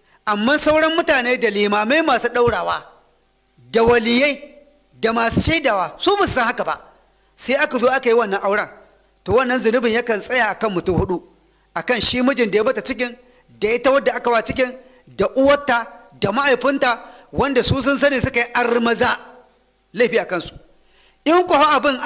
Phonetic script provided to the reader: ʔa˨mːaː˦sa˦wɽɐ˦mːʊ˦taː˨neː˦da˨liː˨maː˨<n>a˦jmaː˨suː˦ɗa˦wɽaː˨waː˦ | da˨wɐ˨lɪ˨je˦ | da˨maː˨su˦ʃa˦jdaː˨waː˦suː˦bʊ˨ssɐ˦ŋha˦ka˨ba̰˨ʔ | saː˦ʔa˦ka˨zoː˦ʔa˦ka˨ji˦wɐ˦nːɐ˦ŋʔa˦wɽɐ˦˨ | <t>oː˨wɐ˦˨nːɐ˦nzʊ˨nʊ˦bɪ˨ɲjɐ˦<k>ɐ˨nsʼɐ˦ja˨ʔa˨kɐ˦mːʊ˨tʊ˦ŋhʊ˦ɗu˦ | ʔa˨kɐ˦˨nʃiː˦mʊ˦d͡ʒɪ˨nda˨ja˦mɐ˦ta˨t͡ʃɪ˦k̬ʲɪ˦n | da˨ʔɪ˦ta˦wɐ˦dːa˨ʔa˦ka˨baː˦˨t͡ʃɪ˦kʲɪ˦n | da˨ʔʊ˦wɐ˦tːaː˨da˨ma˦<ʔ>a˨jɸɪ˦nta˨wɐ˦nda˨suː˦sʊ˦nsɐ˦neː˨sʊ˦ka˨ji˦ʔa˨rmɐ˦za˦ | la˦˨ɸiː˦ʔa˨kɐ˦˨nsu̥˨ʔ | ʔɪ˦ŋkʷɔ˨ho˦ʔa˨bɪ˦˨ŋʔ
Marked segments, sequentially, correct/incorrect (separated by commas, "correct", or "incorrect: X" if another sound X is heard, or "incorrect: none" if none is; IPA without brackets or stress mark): incorrect: m, correct, correct, correct